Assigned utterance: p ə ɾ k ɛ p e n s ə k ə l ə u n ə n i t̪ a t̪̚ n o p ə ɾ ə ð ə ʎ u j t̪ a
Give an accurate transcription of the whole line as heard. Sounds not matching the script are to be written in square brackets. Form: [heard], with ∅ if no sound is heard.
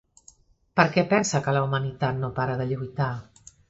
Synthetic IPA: p ə ɾ k ɛ p [ɛ] n s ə k ə l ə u [m] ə n i t̪ a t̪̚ n o p [a] ɾ ə ð ə ʎ u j t̪ a